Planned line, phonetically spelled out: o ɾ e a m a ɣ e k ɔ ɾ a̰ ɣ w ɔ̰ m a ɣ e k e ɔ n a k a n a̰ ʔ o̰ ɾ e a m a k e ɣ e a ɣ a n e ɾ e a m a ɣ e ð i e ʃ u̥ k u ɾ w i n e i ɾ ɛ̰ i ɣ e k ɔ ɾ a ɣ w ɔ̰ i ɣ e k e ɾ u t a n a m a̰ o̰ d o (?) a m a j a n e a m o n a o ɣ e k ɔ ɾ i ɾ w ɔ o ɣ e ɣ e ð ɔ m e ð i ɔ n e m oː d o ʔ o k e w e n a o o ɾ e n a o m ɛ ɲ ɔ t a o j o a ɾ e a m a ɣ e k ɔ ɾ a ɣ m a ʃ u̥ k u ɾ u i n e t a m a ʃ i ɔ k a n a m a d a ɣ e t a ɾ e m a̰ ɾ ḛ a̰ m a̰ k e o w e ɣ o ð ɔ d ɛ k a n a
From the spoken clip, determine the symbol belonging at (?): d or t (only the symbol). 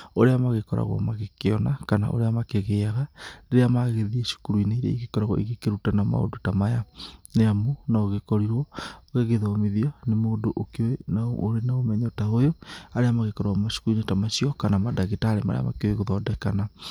t